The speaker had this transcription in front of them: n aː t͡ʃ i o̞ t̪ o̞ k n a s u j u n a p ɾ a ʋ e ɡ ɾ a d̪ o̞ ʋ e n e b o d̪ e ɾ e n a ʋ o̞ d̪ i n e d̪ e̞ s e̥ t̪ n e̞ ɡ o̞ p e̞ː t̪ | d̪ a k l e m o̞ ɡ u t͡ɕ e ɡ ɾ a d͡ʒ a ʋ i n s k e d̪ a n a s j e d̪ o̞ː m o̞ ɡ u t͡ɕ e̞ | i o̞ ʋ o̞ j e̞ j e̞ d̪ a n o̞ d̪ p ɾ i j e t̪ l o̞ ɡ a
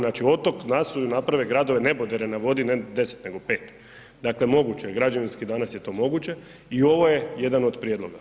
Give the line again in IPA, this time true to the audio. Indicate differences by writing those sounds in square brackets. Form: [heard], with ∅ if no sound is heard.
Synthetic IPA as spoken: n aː t͡ʃ i o̞ t̪ o̞ k n a s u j u n a p ɾ a ʋ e ɡ ɾ a d̪ o̞ ʋ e n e b o d̪ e ɾ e n a ʋ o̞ d̪ i n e d̪ e̞ s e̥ t̪ n e̞ ɡ o̞ p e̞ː t̪ | d̪ a k l e m o̞ ɡ u t͡ɕ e ɡ ɾ a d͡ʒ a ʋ i n s k [i] d̪ a n a s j e [t̪] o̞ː m o̞ ɡ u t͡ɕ e̞ | i o̞ ʋ o̞ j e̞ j e̞ d̪ a n o̞ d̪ p ɾ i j e [d̪] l o̞ ɡ a